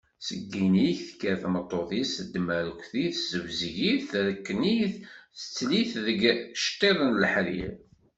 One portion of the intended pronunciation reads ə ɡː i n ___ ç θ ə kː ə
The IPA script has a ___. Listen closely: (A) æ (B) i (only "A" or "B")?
B